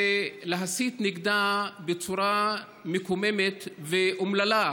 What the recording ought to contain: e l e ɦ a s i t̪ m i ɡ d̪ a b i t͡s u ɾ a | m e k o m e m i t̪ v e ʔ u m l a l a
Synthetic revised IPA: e l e ɦ a s i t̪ n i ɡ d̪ a b e t͡s u ɾ a | m e k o m e m e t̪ v e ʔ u m l a l a